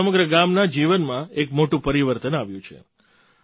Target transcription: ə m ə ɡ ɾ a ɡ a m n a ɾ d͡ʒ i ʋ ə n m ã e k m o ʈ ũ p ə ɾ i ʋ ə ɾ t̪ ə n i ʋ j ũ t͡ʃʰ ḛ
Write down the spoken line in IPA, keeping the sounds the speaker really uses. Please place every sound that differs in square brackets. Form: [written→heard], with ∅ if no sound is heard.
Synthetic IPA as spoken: ə m ə ɡ ɾ [a→ə] ɡ a m n a [ɾ→∅] d͡ʒ i ʋ ə n m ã e k m o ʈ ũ p ə ɾ i ʋ ə ɾ t̪ ə n [i→a] ʋ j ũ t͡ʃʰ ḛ